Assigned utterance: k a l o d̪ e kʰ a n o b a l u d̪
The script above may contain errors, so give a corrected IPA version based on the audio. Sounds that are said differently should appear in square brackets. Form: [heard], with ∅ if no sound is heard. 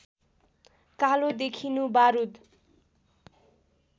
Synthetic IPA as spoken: k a l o d̪ e kʰ [i] n [u] b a [ɾ] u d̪